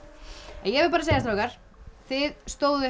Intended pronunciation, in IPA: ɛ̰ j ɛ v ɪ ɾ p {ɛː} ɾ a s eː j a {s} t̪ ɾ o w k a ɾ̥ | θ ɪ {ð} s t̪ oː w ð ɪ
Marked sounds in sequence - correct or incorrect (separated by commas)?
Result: incorrect, correct, correct